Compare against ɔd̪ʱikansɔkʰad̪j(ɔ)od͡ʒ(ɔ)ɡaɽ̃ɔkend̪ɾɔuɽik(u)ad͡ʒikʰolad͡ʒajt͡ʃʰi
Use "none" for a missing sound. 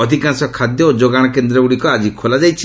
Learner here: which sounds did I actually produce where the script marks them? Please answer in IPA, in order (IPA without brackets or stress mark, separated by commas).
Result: ɔ, o, ɔ